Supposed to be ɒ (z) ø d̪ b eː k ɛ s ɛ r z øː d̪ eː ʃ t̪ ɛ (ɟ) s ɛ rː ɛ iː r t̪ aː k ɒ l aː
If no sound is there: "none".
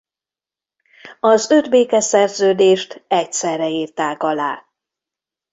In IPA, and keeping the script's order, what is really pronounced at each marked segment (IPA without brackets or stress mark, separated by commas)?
z, c